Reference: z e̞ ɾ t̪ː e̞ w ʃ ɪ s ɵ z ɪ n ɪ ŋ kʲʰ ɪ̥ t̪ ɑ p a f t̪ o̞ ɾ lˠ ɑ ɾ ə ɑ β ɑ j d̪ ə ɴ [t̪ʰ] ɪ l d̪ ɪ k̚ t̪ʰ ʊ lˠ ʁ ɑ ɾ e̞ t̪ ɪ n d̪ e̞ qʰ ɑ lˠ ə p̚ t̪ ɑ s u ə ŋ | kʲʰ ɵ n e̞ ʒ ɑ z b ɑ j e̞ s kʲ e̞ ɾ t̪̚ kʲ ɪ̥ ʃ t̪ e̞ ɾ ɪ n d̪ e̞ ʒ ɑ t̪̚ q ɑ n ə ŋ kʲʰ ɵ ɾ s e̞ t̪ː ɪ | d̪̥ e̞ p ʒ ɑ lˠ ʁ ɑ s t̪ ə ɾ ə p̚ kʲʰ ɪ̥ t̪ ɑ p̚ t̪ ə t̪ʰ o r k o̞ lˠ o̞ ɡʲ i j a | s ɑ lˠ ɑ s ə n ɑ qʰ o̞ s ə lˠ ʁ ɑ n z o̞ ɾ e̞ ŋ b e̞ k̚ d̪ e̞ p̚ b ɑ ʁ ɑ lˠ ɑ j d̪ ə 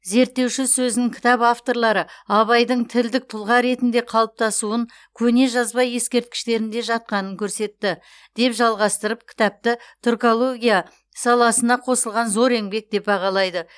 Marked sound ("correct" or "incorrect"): correct